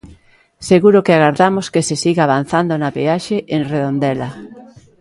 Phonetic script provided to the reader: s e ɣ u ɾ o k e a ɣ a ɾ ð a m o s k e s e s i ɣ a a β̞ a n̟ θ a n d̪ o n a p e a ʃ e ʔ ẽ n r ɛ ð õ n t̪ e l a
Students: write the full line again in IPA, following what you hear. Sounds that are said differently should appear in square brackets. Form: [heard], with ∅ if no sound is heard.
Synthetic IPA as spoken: s e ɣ u ɾ o k e a ɣ a ɾ ð a m o s k e s e s i ɣ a a β̞ a n̟ θ a n d̪ o n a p e a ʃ e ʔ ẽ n r [e] ð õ n [d̪] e l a